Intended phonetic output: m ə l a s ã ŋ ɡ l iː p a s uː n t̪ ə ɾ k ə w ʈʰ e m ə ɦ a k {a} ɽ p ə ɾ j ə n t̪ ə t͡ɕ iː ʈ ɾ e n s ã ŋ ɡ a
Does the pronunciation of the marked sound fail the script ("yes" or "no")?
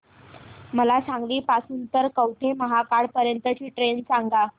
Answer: no